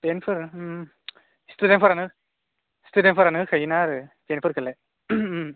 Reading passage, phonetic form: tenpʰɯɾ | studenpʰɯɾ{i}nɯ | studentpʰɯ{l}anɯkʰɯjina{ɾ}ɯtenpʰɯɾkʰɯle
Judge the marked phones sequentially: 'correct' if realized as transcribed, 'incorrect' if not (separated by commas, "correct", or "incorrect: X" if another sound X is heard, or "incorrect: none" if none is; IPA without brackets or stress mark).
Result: incorrect: a, incorrect: ɾ, correct